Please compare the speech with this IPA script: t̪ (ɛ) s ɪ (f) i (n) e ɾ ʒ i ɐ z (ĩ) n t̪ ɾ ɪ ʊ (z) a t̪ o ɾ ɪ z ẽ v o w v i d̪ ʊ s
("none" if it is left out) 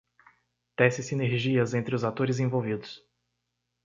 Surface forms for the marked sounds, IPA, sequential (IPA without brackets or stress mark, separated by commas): ɛ, s, n, ẽ, z